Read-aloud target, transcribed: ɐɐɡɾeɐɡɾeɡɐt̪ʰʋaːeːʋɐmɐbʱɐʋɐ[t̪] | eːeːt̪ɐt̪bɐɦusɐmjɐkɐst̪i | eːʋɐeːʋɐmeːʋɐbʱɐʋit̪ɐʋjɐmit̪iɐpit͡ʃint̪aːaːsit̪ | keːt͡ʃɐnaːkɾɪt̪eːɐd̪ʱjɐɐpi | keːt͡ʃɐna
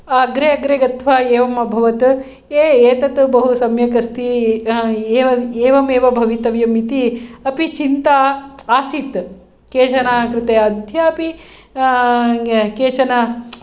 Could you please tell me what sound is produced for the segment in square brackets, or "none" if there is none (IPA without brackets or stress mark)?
t̪